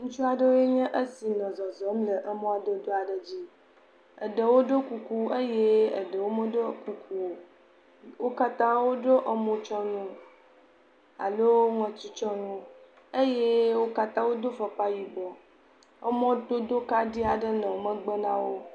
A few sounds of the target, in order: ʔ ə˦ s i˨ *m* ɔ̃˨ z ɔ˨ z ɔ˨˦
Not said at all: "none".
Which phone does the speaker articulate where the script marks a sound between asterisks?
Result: n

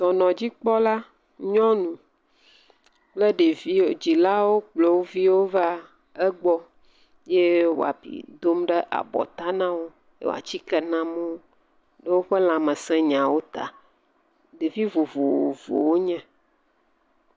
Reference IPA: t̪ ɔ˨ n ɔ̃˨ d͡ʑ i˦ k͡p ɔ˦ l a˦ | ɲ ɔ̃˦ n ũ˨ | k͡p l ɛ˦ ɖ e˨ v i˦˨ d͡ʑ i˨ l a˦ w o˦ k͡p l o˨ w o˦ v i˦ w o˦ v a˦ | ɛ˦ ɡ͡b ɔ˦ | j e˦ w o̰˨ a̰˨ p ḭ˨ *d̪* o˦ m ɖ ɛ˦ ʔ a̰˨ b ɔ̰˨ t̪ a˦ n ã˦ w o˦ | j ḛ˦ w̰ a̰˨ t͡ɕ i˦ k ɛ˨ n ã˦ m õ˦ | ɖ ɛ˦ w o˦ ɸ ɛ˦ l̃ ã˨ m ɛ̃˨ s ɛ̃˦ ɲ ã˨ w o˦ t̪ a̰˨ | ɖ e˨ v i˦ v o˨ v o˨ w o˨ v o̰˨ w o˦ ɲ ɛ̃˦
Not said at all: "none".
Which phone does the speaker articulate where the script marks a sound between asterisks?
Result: d̪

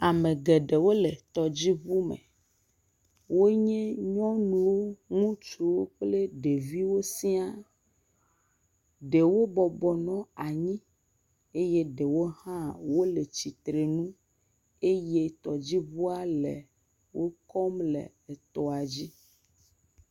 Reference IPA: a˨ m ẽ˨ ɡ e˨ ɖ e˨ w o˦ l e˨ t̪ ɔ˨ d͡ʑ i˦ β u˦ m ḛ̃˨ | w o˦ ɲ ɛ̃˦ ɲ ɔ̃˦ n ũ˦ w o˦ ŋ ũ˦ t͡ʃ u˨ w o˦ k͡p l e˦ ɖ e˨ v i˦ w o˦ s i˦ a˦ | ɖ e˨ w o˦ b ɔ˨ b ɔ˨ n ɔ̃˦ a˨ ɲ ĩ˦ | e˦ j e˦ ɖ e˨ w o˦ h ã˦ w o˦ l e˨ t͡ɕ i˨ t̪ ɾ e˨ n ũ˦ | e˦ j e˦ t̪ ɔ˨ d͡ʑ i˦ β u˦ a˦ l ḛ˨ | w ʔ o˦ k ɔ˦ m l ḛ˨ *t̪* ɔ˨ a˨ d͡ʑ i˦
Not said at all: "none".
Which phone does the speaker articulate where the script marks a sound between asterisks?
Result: t̪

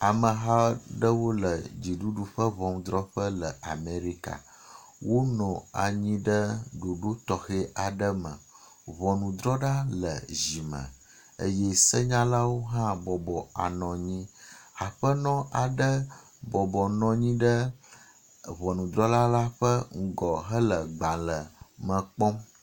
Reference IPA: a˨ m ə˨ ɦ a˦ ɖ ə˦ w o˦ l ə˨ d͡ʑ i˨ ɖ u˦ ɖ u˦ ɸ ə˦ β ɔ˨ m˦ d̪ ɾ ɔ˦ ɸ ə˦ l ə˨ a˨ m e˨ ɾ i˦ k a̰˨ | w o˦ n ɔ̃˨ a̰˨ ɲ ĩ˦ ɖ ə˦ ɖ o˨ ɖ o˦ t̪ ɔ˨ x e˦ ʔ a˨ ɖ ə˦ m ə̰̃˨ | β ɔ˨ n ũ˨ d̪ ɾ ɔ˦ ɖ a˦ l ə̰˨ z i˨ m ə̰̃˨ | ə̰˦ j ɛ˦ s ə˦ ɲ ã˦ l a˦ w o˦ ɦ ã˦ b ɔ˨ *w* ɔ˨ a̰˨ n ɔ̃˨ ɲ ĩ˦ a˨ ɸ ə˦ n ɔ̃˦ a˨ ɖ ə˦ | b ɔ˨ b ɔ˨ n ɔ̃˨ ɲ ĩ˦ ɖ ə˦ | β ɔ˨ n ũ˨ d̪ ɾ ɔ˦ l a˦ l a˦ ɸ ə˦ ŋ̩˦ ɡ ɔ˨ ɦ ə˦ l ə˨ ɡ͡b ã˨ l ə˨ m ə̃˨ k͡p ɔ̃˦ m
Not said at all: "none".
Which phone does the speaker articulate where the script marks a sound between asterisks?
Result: b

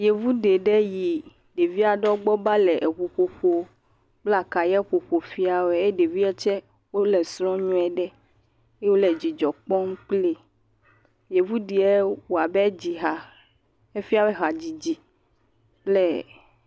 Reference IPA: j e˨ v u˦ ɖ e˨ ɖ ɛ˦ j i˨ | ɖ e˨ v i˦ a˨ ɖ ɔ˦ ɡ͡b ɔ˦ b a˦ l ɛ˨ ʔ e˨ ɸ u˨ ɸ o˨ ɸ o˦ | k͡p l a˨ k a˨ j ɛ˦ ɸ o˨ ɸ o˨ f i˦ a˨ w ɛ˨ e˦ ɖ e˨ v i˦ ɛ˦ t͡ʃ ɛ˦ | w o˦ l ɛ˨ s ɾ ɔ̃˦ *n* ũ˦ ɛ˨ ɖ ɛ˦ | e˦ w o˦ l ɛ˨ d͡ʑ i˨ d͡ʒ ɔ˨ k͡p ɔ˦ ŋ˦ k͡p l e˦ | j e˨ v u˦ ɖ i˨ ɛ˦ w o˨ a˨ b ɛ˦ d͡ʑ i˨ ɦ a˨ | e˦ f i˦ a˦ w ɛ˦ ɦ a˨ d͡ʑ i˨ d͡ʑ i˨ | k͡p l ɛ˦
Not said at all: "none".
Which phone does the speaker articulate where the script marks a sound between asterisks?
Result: ɲ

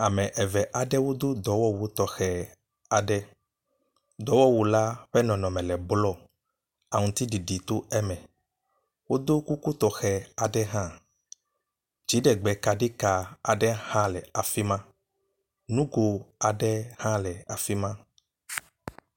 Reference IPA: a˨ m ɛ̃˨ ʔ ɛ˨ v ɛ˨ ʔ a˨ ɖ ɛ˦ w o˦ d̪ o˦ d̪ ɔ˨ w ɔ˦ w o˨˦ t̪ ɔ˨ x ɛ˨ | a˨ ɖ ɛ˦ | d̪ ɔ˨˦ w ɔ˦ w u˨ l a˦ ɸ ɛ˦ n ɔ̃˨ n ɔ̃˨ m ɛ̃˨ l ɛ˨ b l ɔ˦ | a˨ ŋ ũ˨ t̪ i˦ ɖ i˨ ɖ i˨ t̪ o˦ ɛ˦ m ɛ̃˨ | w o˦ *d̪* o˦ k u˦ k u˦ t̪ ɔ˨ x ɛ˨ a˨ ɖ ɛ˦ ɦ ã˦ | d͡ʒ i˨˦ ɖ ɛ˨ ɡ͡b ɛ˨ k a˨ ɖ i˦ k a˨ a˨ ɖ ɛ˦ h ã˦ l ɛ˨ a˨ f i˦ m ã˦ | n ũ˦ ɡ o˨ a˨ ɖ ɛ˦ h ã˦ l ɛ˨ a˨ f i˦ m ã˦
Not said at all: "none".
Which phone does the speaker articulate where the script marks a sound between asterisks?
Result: d̪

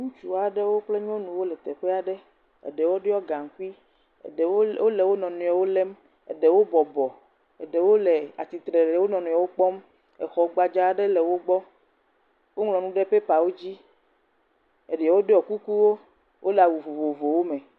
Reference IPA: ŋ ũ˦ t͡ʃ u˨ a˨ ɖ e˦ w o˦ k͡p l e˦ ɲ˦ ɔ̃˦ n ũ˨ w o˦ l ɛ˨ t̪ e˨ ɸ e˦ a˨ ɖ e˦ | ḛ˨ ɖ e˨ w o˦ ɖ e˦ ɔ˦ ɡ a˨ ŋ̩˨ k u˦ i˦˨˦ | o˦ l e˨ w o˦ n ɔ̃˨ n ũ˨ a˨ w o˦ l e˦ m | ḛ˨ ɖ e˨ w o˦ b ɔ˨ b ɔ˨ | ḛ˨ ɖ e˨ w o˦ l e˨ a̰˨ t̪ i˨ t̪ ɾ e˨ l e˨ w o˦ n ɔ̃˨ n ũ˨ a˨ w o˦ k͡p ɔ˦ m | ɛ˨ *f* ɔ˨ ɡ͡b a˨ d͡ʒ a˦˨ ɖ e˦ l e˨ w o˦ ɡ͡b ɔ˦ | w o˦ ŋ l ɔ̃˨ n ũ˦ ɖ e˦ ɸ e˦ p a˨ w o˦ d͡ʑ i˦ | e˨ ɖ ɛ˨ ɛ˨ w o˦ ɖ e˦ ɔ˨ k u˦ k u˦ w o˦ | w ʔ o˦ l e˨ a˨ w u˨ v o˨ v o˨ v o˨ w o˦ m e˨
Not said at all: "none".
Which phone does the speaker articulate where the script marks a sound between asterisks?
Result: x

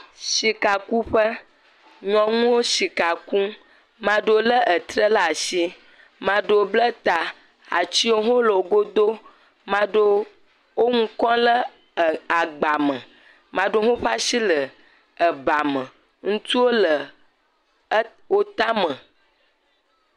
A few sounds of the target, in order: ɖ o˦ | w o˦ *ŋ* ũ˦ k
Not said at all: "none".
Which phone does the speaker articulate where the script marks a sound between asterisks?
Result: ŋ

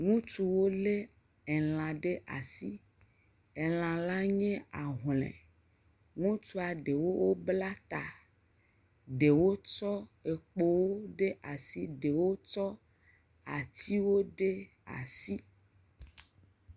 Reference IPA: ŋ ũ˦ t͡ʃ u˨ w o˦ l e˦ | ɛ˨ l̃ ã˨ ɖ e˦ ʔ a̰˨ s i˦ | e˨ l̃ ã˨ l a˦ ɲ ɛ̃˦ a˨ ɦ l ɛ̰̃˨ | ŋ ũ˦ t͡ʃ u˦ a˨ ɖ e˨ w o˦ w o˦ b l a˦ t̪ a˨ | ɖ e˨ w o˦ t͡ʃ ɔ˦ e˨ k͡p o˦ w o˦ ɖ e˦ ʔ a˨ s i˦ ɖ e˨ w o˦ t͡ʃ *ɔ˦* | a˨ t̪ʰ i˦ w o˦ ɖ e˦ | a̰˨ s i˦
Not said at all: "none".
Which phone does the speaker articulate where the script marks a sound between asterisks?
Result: ɔ˦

